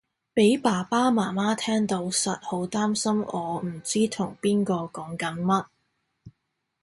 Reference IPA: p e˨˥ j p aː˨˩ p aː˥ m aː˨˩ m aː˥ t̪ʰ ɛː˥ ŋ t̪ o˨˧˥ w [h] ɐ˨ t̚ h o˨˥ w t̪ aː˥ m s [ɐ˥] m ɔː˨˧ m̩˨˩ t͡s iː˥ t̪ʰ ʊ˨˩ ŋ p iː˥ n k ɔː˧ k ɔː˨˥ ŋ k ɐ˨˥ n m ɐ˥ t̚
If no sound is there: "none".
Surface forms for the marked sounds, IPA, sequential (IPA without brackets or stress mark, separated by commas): s, ɐ˥